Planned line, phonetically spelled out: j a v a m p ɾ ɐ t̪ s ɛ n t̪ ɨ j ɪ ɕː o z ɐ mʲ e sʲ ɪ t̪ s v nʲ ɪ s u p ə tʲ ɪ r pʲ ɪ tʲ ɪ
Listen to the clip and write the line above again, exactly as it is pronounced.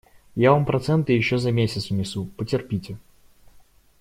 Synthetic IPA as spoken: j a v a m p ɾ ɐ t̪ s ɛ n t̪ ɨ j ɪ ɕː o z ɐ mʲ e sʲ ɪ t̪ s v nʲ ɪ s u p ə tʲ ɪ r pʲ i tʲ ɪ